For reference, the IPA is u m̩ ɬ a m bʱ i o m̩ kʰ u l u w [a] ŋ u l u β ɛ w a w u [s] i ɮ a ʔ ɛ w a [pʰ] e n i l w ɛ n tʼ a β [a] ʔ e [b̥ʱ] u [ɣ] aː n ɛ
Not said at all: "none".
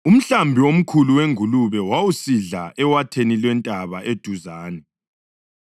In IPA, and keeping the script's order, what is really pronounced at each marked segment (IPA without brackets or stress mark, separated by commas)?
e, s, tʰ, a, d̥ʱ, z